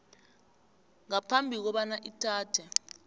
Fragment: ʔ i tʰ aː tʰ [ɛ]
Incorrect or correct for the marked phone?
correct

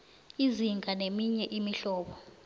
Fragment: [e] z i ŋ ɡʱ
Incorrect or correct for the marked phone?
incorrect: i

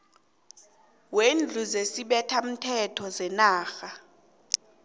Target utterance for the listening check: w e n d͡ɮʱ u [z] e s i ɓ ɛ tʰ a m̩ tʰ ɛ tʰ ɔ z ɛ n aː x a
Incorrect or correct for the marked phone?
correct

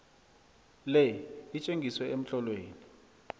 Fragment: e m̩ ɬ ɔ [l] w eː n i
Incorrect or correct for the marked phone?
correct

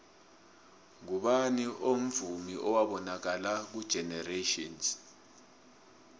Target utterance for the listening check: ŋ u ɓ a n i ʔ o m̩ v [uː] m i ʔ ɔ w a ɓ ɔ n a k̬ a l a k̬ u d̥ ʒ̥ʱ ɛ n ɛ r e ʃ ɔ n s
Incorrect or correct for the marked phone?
incorrect: u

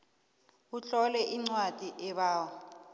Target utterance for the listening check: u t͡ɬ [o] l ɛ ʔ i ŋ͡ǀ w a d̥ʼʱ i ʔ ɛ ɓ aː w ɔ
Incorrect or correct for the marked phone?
incorrect: ɔ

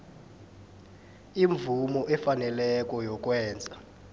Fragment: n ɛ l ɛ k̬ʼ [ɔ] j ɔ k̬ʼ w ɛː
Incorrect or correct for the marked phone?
correct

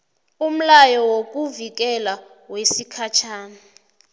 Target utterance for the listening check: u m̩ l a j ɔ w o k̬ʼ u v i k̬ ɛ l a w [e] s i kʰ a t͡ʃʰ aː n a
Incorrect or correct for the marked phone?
correct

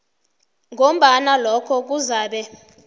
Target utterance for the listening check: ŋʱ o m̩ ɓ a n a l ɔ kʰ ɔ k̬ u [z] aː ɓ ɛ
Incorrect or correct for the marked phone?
correct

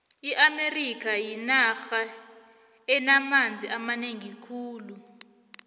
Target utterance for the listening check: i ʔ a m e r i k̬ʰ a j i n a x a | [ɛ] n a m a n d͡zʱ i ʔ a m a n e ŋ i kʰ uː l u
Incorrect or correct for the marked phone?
correct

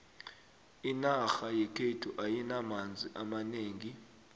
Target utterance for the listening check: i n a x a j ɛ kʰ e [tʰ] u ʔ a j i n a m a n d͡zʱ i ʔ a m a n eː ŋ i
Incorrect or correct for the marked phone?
correct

